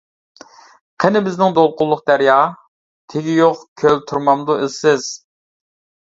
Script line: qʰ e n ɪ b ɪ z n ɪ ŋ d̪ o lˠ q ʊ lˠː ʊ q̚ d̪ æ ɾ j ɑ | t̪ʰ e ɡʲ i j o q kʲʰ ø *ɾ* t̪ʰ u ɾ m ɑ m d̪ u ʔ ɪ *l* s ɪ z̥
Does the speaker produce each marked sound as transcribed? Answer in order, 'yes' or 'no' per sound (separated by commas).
no, yes